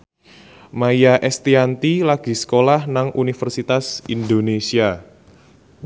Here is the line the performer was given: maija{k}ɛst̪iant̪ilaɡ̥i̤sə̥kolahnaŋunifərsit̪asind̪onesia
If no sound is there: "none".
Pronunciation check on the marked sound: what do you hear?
ʔ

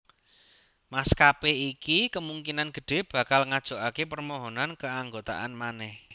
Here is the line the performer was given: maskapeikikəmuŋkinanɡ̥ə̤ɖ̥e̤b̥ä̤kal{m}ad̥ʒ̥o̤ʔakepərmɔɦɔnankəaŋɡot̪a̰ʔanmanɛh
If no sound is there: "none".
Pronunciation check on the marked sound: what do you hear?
ŋ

